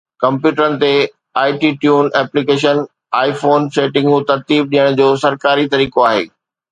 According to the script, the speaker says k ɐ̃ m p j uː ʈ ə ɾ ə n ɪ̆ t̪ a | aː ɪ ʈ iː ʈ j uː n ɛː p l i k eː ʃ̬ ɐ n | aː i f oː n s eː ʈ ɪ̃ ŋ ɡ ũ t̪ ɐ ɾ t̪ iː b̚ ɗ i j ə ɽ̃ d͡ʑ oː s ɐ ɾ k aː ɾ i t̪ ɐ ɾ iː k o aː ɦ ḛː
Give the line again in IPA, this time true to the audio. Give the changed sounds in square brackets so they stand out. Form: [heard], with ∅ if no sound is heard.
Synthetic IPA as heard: k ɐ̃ m p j uː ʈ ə ɾ ə n ɪ̆ t̪ [e] | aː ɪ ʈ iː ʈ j uː n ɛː p l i k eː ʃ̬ [ə] n | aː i f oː n s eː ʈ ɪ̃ ŋ ɡ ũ t̪ ɐ ɾ t̪ iː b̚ ɗ i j ə ɽ̃ d͡ʑ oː s ɐ ɾ k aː ɾ i t̪ ɐ ɾ iː k o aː ɦ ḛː